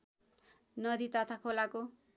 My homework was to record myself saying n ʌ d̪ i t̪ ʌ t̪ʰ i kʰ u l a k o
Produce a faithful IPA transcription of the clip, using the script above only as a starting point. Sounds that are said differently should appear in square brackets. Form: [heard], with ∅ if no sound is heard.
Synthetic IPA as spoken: n ʌ d̪ i t̪ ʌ t̪ʰ [a] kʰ [o] l a k o